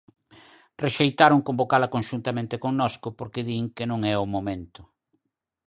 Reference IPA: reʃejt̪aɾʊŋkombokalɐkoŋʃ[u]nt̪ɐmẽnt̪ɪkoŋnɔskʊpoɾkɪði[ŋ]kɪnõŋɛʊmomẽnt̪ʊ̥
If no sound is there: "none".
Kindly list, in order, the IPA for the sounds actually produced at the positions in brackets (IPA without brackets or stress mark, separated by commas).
u, ŋ